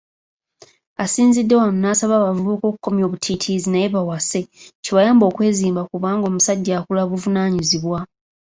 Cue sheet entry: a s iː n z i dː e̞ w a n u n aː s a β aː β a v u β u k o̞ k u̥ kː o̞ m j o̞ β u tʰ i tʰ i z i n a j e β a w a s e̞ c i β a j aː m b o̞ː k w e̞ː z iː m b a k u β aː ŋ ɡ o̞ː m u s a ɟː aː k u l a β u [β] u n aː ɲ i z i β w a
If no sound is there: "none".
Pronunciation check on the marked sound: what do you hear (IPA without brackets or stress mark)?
v